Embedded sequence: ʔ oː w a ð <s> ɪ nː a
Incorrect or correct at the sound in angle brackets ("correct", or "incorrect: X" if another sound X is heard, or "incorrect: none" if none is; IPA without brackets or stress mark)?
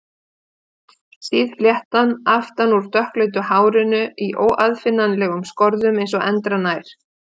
incorrect: f